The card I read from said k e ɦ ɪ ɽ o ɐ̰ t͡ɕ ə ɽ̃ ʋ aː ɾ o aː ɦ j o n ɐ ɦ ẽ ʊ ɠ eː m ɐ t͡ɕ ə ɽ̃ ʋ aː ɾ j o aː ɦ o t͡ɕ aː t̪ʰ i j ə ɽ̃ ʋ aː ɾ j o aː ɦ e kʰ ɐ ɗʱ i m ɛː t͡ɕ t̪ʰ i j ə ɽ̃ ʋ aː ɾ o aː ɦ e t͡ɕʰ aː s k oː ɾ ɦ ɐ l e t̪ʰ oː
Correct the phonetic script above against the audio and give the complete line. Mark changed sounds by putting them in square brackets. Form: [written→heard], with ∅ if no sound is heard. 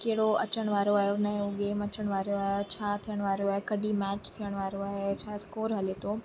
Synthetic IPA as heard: k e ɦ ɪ ɽ o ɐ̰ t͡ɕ ə ɽ̃ ʋ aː ɾ o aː ɦ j o n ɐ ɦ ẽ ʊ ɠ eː m ɐ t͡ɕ ə ɽ̃ ʋ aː ɾ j o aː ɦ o [t͡ɕ→t͡ɕʰ] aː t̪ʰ i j ə ɽ̃ ʋ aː ɾ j o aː ɦ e [kʰ→k] ɐ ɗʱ i m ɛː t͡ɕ t̪ʰ i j ə ɽ̃ ʋ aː ɾ o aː ɦ e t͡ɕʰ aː s k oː ɾ ɦ ɐ l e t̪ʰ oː